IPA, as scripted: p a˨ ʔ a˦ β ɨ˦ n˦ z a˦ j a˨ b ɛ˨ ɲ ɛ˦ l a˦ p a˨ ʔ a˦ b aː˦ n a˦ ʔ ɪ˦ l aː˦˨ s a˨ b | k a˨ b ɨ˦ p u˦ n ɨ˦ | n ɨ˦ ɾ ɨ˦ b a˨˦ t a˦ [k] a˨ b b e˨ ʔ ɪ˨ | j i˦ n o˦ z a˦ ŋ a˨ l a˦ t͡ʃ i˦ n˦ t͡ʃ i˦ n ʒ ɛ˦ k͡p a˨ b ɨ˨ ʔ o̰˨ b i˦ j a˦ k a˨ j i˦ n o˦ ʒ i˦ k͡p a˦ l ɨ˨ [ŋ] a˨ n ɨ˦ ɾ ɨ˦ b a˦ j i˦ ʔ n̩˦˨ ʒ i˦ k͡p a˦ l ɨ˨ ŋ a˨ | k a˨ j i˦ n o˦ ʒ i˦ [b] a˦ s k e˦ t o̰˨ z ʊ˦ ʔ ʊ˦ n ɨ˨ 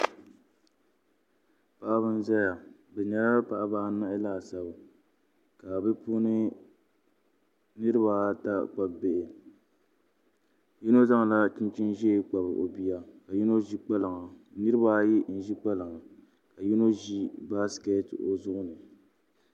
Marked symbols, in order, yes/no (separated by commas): no, yes, yes